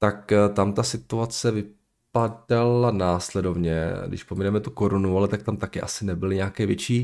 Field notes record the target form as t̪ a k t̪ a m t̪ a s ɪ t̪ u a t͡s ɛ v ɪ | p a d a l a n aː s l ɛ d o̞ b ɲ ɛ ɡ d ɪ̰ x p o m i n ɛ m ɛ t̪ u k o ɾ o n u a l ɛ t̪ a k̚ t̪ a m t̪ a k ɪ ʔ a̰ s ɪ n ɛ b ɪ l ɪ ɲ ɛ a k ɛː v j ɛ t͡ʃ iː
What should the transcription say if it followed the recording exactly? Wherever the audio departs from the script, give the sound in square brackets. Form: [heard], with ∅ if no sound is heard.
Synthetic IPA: t̪ a k t̪ a m t̪ a s ɪ t̪ u a t͡s ɛ v ɪ | p a d a l a n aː s l ɛ d o̞ [v] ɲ ɛ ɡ d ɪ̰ [ʃ] p o m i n ɛ m ɛ t̪ u k o ɾ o n u a l ɛ t̪ a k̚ t̪ a m t̪ a k ɪ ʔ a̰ s ɪ n ɛ b ɪ l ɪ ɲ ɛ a k ɛː v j ɛ t͡ʃ iː